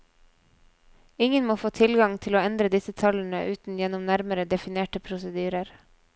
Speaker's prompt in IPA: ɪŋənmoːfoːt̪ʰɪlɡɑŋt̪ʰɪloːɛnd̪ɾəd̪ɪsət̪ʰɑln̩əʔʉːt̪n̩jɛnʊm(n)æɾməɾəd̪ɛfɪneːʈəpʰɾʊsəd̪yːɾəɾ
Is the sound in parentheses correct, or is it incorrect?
correct